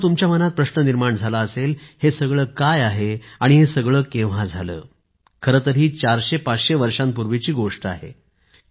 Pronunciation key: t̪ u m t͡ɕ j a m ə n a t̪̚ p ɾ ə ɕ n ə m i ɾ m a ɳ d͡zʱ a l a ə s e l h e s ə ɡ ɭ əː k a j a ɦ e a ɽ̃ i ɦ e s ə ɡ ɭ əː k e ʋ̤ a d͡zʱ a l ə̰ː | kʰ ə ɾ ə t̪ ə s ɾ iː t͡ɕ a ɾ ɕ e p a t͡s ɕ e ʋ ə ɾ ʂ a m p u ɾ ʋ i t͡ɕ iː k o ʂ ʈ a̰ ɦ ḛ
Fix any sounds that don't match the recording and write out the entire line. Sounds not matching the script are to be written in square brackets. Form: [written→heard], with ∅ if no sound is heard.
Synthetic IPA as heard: t̪ u m t͡ɕ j a m ə n a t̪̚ p ɾ ə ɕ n ə [m→n] i ɾ m a ɳ d͡zʱ a l a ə s e l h e s ə ɡ ɭ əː k a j a ɦ e a ɽ̃ i ɦ e s ə ɡ ɭ əː k e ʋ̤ a d͡zʱ a l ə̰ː | kʰ ə ɾ ə t̪ ə [s→∅] ɾ iː t͡ɕ a ɾ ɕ e p a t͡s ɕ e ʋ ə ɾ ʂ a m p u ɾ ʋ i t͡ɕ iː [k→ɡ] o ʂ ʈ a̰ ɦ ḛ